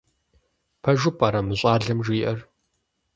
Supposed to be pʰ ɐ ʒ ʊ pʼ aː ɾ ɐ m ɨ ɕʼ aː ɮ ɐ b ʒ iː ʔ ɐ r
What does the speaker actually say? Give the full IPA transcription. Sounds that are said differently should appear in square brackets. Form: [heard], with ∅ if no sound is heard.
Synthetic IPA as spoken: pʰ ɐ ʒ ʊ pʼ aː ɾ ɐ m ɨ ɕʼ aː ɮ ɐ [m] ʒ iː ʔ ɐ r

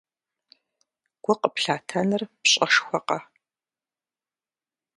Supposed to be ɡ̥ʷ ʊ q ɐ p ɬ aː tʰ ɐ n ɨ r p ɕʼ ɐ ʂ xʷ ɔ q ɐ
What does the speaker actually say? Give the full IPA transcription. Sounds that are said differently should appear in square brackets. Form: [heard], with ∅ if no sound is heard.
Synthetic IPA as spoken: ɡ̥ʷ ʊ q [ə] p ɬ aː tʰ ɐ n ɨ r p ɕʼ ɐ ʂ xʷ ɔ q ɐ

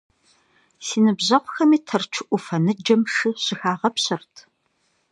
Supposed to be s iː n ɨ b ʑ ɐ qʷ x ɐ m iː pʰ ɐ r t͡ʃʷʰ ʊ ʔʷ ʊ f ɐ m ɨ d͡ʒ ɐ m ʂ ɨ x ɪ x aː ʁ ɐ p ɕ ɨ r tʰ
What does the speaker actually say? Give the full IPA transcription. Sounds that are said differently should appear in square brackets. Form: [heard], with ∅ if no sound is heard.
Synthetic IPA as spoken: s iː n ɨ b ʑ ɐ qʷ x ɐ m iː [tʰ] ɐ r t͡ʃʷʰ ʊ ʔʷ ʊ f ɐ [n] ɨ d͡ʒ ɐ m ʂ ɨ [ɕ] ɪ x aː ʁ ɐ p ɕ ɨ r tʰ

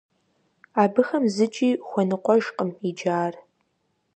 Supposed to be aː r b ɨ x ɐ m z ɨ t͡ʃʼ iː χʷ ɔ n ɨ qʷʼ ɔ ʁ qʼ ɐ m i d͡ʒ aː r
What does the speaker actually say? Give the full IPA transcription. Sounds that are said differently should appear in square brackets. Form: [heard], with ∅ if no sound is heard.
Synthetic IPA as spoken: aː [∅] b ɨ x ɐ m z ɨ t͡ʃʼ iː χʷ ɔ n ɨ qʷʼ ɔ [ʒ] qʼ [ə] m i d͡ʒ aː r

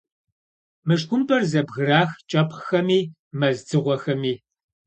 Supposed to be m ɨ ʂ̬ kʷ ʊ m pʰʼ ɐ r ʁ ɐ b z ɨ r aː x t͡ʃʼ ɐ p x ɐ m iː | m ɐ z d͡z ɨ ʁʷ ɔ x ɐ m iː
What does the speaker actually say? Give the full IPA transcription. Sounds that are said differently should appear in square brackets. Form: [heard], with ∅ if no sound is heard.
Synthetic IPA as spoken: m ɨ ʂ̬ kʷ ʊ m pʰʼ ɐ r [z] ɐ b [ɣ] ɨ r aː x t͡ʃʼ ɐ p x ɐ m iː | m ɐ z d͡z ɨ ʁʷ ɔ x ɐ m iː

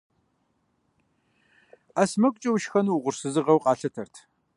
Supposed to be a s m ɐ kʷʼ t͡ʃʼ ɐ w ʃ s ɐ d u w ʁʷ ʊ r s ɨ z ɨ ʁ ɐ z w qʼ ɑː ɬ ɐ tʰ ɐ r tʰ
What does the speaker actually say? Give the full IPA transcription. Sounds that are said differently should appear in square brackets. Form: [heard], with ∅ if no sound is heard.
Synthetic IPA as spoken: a s m ɐ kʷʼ t͡ʃʼ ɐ w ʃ [x] ɐ [n] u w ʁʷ ʊ r s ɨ z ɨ ʁ ɐ [∅] w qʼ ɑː ɬ ɐ tʰ ɐ r tʰ

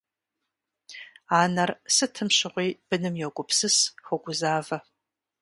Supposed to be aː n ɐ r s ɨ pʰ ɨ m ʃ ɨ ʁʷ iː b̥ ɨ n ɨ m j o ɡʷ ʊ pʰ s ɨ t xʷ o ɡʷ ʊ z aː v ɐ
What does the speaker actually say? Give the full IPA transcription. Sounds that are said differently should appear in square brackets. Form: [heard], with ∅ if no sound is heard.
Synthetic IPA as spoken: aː n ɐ r s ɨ [tʰ] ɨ m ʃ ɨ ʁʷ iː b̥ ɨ n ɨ m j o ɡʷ ʊ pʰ s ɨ [s] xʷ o ɡʷ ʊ z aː v ɐ

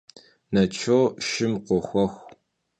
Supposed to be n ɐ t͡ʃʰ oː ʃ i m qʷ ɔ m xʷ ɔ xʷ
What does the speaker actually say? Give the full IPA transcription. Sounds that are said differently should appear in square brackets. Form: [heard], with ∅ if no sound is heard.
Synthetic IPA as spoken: n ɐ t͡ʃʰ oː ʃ [ɪ] m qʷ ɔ [∅] xʷ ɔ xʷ

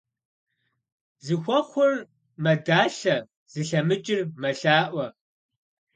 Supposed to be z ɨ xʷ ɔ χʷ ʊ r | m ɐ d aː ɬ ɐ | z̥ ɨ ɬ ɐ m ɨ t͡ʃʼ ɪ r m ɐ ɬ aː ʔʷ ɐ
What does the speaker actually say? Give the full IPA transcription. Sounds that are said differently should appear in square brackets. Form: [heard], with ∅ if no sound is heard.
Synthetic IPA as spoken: z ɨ xʷ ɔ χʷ ʊ r | m ɐ d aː ɬ ɐ | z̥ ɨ ɬ ɐ m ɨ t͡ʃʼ ɪ r m ɐ ɬ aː ʔʷ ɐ

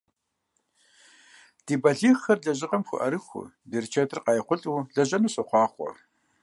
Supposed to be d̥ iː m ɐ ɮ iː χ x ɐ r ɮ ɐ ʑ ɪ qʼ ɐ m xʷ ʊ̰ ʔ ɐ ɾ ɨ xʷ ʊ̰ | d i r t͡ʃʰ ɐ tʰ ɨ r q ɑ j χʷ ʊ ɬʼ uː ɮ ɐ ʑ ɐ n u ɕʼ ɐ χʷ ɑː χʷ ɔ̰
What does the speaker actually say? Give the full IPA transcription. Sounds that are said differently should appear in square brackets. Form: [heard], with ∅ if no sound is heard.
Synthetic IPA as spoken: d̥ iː [b] ɐ ɮ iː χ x ɐ r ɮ ɐ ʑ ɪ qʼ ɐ m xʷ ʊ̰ ʔ ɐ ɾ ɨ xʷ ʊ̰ | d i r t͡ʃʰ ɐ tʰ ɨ r q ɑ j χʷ ʊ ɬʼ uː ɮ ɐ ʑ ɐ n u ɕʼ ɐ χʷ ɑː χʷ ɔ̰

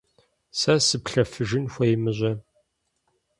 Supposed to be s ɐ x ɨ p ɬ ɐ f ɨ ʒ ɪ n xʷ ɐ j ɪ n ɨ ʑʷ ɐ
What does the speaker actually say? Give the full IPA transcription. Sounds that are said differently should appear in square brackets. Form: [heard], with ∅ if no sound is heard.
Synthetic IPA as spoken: s ɐ [s] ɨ p ɬ ɐ f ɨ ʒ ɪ n xʷ ɐ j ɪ [m] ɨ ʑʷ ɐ

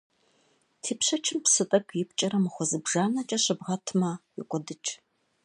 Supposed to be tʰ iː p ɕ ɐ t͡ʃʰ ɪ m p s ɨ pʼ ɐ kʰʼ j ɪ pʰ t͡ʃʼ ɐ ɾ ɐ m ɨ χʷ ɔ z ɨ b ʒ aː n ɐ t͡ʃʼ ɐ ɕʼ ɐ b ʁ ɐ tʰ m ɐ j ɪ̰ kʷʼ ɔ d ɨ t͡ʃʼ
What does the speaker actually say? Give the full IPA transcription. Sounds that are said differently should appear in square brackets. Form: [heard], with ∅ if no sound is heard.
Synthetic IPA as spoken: tʰ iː p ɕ ɐ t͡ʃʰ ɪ m p s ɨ [tʼ] ɐ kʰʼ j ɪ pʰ t͡ʃʼ ɐ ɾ ɐ m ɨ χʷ ɔ z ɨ b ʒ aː n ɐ t͡ʃʼ ɐ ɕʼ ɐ b ʁ ɐ tʰ m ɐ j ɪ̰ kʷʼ ɔ d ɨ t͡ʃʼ

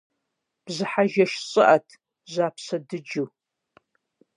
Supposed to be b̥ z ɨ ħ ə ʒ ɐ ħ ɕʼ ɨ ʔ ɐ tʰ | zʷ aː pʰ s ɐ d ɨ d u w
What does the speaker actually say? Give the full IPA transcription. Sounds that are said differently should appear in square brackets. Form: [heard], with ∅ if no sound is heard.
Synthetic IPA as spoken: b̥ z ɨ ħ [a] ʒ ɐ [ʃ] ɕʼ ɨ ʔ ɐ tʰ | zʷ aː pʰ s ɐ d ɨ [d͡ʒ] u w

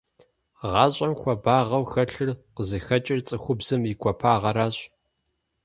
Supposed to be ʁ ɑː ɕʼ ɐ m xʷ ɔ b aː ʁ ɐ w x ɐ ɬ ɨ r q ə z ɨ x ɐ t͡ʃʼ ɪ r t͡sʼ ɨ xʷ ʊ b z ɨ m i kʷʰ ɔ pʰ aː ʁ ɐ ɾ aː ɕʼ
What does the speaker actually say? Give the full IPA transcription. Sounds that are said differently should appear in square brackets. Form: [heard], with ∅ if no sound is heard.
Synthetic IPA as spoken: ʁ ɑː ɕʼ ɐ m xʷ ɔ b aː ʁ ɐ w x ɐ ɬ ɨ r q ə z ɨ x ɐ t͡ʃʼ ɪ r t͡sʼ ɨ xʷ ʊ b z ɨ m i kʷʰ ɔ pʰ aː ʁ ɐ ɾ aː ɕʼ

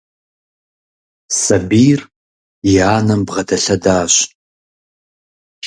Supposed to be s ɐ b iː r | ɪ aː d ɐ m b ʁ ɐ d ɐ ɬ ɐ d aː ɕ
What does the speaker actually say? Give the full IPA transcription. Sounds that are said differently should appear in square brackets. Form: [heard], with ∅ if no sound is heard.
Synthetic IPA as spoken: s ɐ b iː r | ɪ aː [n] ɐ m b ʁ ɐ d ɐ ɬ ɐ d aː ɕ

